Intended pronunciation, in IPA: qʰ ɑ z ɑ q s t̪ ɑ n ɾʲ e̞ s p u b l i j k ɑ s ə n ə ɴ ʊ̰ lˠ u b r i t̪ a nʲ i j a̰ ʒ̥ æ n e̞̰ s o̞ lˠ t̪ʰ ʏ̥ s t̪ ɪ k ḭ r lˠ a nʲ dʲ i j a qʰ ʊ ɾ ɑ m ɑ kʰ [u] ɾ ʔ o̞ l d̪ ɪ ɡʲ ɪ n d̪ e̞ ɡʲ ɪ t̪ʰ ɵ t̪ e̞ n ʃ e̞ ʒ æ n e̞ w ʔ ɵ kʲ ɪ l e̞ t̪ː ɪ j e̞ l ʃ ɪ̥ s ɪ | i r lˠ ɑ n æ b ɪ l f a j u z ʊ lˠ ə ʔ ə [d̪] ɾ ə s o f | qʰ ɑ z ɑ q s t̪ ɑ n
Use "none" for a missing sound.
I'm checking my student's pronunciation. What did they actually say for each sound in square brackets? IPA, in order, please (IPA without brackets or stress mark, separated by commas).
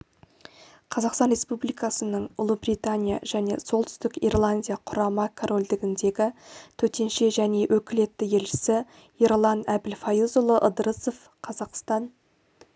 o, d̪